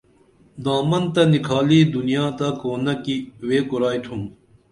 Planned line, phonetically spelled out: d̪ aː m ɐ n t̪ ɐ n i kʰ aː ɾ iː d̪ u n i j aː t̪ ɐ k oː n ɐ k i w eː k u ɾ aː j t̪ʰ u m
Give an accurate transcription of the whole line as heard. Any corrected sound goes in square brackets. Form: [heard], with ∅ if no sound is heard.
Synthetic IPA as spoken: d̪ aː m ɐ n t̪ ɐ n i kʰ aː [l] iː d̪ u n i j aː t̪ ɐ k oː n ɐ k i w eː k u ɾ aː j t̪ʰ u m